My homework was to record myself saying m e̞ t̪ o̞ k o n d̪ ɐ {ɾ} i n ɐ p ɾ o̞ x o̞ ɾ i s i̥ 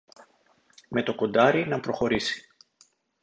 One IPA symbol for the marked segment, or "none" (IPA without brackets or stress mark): ɾ